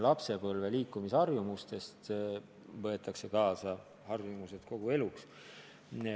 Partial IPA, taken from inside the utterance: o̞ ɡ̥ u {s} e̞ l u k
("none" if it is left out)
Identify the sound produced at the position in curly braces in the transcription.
none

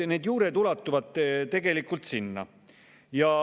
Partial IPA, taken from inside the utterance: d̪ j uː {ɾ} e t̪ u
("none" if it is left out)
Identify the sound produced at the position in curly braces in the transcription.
ɾ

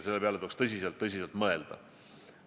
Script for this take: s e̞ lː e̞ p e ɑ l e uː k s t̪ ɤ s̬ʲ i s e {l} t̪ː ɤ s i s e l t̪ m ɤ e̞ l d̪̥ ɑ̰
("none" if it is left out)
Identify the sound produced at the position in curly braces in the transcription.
l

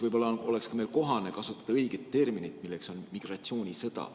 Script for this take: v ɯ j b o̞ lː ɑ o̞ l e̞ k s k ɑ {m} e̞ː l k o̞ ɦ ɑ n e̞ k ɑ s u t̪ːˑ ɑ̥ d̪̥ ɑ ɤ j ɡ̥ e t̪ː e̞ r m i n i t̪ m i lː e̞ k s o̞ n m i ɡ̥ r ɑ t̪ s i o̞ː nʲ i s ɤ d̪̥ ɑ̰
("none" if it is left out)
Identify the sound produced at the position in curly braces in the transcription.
m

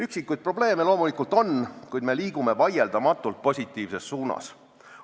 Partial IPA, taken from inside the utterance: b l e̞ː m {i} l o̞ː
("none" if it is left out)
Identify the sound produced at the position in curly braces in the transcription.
e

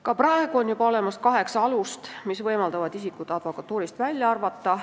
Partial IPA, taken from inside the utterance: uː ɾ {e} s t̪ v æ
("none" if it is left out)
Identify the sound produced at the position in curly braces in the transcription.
i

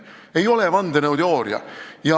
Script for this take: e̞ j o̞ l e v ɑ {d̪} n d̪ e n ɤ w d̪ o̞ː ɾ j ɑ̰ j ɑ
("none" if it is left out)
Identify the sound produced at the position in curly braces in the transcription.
none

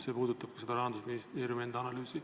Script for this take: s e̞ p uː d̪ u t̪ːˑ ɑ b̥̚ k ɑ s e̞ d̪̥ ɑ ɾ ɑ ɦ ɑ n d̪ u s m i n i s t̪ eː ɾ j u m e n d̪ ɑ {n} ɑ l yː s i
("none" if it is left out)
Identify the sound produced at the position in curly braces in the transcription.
n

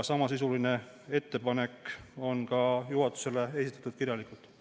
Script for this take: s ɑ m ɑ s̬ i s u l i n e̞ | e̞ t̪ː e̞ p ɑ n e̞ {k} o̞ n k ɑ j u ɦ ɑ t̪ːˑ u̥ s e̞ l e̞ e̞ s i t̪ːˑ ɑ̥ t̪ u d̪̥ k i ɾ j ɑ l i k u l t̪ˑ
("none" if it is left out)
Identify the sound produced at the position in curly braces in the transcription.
k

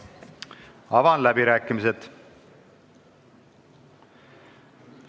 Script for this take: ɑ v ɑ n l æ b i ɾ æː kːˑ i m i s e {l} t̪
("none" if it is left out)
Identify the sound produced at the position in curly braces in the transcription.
none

